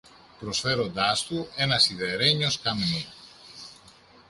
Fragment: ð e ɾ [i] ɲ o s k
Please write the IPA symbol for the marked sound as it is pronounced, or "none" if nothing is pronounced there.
e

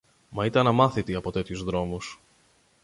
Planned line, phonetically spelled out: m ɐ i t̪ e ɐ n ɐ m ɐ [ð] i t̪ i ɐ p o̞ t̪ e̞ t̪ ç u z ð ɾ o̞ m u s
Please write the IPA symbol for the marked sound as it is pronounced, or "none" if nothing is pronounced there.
θ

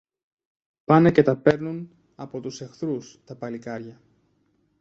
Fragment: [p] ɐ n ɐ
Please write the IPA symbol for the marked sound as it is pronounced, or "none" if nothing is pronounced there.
p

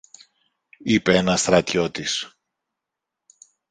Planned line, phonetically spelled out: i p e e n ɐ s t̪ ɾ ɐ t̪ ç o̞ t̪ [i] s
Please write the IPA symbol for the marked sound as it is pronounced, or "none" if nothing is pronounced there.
i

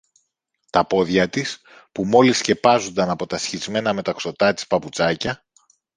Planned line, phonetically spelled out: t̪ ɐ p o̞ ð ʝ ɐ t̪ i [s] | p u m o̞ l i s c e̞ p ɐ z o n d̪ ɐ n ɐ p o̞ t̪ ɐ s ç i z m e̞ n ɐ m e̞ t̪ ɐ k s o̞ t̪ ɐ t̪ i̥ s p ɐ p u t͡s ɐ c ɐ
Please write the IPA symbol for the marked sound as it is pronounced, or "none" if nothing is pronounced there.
s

